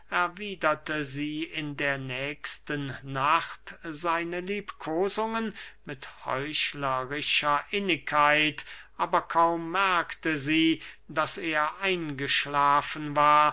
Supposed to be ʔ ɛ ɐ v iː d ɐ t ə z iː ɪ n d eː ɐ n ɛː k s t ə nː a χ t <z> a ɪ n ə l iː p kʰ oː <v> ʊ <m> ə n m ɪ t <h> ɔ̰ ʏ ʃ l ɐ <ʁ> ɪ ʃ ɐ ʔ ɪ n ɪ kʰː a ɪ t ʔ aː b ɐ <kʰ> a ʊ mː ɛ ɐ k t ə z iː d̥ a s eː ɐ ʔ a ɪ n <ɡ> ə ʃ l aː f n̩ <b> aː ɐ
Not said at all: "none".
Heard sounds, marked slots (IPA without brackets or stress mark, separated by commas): z, z, ŋ, h, ʁ, kʰ, ɡ, v